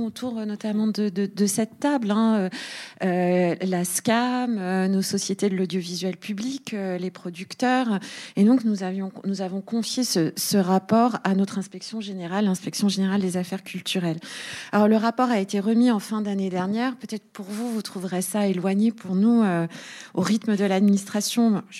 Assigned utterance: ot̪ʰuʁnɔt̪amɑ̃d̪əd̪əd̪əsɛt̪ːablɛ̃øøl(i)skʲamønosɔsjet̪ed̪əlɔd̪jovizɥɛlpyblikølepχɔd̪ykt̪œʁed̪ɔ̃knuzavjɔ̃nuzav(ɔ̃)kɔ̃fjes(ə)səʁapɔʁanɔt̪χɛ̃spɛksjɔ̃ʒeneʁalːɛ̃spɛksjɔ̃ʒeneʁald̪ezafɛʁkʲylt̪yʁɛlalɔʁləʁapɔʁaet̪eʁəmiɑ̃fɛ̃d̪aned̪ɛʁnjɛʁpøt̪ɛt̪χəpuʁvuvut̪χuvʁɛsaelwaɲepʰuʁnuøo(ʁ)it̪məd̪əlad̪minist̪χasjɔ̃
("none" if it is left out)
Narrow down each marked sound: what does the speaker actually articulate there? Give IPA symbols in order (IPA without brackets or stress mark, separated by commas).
a, ɔ̃, ə, ʁ